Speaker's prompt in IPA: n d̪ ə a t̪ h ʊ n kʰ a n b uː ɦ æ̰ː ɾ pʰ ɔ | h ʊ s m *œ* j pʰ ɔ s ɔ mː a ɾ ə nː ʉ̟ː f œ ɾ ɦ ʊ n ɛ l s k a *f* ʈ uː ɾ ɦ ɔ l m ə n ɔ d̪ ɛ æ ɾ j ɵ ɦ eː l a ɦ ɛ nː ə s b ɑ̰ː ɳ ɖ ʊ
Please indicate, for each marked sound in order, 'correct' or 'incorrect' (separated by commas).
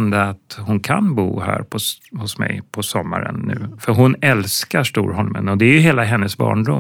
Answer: incorrect, incorrect